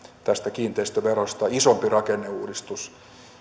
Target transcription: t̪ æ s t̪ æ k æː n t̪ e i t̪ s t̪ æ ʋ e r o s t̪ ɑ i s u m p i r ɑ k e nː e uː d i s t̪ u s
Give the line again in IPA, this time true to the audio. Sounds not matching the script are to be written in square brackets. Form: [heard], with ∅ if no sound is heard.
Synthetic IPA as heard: t̪ æ s t̪ æ k [iː] n t̪ e i [∅] s t̪ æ ʋ e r o s t̪ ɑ i s [o] m p i r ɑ k e nː e uː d i s t̪ u s